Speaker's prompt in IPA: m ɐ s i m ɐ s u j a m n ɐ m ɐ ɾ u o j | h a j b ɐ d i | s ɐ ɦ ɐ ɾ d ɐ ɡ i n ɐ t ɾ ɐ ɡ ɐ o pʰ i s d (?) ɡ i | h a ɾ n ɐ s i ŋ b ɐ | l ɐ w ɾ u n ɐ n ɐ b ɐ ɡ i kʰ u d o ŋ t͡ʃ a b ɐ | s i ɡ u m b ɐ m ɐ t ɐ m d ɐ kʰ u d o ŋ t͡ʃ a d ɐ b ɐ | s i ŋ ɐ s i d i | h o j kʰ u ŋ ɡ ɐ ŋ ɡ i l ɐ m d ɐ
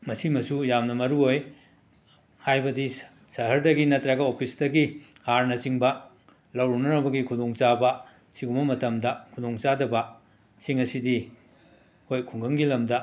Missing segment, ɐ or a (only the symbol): ɐ